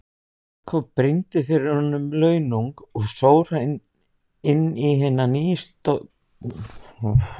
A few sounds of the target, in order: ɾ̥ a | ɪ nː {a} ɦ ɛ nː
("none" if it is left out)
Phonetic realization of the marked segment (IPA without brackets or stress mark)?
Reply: i